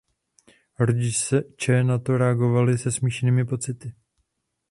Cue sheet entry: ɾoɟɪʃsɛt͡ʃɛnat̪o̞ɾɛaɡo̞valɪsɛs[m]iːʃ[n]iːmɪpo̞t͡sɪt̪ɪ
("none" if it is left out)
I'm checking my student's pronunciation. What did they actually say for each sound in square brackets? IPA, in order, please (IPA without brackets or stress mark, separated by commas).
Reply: m, n